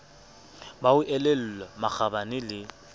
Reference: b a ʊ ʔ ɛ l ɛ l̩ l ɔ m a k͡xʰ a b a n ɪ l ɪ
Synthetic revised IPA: b a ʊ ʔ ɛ l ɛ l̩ l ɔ m a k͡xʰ a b a n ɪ l ɪ